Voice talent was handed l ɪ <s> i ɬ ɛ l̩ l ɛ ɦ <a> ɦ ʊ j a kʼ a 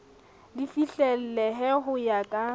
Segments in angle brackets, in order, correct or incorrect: incorrect, incorrect

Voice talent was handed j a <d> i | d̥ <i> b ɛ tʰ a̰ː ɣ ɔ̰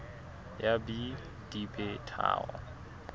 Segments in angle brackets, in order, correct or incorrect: incorrect, correct

